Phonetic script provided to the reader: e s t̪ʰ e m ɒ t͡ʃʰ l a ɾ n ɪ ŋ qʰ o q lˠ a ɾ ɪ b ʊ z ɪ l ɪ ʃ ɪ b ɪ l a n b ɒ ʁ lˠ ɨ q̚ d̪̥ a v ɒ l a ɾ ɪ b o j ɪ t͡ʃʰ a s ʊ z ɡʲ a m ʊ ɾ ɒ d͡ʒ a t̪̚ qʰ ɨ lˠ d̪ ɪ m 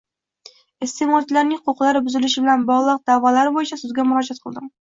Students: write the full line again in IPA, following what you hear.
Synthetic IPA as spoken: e s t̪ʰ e m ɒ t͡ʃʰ l a ɾ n ɪ ŋ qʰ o q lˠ a ɾ ɪ b ʊ z ɪ l ɪ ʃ ɪ b ɪ l a n b ɒ ʁ lˠ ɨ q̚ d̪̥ a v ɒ l a ɾ ɪ b o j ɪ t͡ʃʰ a s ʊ z ɡʲ a m ʊ ɾ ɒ d͡ʒ a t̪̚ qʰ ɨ lˠ d̪ ɪ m